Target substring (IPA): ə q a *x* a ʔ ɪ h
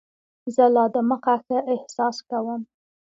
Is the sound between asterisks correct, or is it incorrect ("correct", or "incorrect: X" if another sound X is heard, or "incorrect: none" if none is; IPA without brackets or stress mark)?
correct